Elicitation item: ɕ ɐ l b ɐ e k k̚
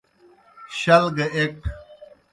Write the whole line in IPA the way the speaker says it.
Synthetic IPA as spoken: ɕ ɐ l ɡ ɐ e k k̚